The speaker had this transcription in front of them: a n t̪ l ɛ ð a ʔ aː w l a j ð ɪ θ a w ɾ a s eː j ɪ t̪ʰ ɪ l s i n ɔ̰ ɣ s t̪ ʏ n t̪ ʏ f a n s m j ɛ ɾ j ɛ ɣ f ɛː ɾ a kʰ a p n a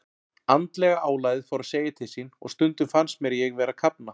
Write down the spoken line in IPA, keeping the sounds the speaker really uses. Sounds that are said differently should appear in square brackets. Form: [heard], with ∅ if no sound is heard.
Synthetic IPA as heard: a n t̪ l ɛ [ɣ] a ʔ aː w l a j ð ɪ [f] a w ɾ a s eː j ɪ t̪ʰ ɪ l s i n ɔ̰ ɣ s t̪ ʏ n t̪ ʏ f a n s m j ɛ ɾ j ɛ ɣ [v] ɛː ɾ a kʰ a p n a